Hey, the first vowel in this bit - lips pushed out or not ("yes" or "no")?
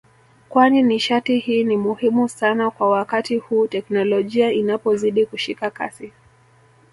no